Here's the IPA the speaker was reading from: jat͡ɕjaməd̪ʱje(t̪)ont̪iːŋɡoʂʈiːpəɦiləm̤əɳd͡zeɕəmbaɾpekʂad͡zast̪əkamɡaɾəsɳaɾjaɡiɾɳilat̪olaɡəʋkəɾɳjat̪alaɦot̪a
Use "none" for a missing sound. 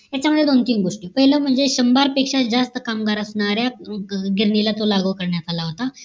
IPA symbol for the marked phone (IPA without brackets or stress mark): d̪